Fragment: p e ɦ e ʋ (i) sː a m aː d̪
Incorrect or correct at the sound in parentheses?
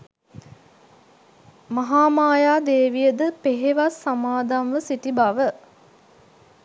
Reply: incorrect: a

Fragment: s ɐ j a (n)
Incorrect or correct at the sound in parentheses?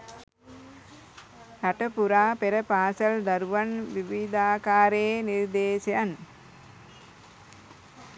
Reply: correct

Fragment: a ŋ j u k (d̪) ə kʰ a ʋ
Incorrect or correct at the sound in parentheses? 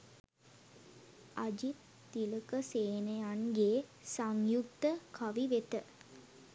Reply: incorrect: t̪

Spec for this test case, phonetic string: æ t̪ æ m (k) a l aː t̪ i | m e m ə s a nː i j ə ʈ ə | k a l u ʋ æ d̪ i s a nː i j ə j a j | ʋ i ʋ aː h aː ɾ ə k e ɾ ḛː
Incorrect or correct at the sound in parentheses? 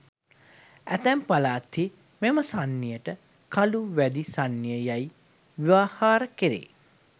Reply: incorrect: p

